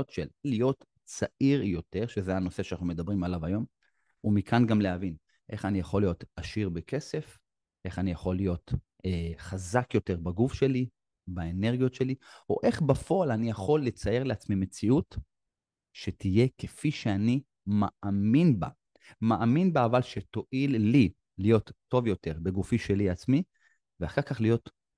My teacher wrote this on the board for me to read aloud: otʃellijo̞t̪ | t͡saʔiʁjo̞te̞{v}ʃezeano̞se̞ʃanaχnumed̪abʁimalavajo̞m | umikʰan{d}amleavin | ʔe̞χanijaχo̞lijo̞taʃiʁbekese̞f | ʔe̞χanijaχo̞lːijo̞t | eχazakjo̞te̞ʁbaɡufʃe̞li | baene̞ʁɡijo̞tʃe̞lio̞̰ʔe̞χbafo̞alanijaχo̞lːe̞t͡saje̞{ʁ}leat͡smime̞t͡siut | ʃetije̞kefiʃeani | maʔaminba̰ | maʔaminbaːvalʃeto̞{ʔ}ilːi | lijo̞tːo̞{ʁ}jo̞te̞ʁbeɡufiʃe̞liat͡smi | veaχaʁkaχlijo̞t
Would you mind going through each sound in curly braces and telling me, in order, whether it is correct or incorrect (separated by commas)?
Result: incorrect, incorrect, correct, correct, incorrect